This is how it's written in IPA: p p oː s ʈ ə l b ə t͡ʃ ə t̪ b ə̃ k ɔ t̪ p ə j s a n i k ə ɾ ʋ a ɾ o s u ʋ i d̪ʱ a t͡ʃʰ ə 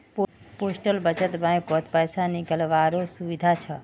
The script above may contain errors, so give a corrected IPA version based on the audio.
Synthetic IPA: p p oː s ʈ ə l b ə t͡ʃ ə t̪ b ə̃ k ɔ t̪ p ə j s a n i k ə l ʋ a ɾ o s u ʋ i d̪ʱ a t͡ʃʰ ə